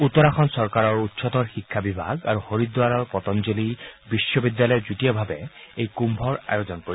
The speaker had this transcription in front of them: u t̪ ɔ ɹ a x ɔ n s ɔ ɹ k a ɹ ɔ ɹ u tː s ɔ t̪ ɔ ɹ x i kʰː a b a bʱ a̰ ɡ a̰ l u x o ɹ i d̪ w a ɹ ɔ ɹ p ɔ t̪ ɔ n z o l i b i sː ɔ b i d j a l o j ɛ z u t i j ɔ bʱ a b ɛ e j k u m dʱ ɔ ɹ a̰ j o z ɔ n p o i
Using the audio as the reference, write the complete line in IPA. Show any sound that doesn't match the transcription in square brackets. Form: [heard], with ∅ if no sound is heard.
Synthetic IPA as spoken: u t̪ ɔ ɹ a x ɔ n s ɔ ɹ k a ɹ ɔ ɹ u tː s ɔ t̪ ɔ ɹ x i kʰː a b [i] bʱ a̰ ɡ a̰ [ɹ] u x o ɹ i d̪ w a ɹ ɔ ɹ p ɔ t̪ ɔ n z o l i b i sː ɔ b i d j a l [ɔ] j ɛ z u t i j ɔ bʱ a b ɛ e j k u m [bʱ] ɔ ɹ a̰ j o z ɔ n p o i